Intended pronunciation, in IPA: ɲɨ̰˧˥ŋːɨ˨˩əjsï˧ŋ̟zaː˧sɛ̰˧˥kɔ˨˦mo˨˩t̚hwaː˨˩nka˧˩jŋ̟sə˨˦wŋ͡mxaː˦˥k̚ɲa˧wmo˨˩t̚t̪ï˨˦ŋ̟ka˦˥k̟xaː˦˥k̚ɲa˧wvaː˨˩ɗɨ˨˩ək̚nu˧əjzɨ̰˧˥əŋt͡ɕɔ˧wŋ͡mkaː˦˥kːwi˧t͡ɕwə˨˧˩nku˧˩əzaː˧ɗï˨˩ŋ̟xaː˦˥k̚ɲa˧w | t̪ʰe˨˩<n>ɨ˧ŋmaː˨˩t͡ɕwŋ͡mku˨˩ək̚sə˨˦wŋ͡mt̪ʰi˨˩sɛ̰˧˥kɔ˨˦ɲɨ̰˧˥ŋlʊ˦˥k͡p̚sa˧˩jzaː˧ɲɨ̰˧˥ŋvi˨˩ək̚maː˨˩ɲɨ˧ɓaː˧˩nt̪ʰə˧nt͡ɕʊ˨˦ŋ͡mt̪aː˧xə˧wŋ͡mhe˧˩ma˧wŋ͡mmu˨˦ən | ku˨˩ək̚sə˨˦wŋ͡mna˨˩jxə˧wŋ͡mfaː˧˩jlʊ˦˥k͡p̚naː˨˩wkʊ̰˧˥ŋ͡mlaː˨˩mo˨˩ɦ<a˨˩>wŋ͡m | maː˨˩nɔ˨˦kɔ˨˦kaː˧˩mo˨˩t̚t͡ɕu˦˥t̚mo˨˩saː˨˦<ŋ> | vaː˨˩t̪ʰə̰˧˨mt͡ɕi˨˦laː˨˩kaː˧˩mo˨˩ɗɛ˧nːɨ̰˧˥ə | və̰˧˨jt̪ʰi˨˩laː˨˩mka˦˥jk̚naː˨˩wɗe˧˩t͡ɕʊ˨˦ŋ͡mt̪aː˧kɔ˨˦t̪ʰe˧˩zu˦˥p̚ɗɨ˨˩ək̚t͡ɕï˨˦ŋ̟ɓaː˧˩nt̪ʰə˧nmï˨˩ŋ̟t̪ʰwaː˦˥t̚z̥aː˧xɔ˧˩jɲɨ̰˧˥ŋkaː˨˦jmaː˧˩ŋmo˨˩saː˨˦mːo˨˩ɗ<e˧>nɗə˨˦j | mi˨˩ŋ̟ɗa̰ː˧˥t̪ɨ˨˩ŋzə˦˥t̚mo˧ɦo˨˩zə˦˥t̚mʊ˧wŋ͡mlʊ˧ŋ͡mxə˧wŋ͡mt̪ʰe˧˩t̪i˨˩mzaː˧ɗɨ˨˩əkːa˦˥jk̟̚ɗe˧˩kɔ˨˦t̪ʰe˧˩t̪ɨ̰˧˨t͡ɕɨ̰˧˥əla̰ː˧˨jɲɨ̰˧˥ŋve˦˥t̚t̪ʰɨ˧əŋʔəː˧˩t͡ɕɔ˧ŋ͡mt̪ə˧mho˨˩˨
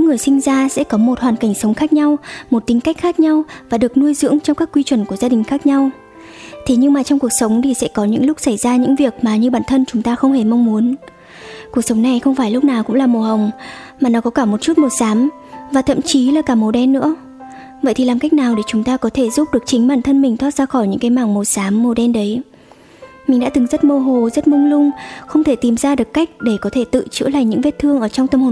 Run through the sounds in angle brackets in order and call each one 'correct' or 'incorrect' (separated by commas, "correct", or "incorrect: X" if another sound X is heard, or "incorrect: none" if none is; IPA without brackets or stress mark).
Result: incorrect: ɲ, incorrect: ə˨˩, incorrect: m, incorrect: ɛ˧